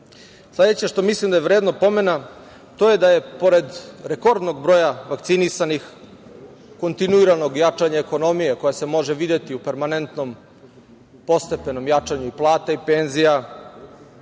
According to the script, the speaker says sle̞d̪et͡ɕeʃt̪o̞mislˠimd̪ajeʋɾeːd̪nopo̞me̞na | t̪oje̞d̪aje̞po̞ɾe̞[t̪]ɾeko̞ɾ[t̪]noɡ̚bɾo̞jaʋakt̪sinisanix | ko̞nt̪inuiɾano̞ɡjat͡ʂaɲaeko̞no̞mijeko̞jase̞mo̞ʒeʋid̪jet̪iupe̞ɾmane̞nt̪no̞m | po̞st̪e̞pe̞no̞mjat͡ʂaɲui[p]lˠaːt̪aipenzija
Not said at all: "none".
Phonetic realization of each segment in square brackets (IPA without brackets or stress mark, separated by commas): d̪, d̪, p